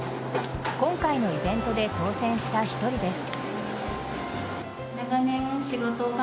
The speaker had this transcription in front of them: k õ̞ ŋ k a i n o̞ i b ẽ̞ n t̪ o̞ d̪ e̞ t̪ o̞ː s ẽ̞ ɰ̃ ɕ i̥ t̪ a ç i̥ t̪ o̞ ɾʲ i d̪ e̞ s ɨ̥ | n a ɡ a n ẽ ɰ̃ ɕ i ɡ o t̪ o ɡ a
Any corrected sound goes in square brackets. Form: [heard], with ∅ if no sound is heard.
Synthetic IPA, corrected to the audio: k õ̞ ŋ k a i n o̞ i b ẽ̞ n t̪ o̞ d̪ e̞ t̪ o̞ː s ẽ̞ ɰ̃ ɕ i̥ t̪ a ç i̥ t̪ o̞ ɾʲ i d̪ e̞ s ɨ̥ | n a ɡ a n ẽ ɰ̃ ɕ i ɡ o t̪ o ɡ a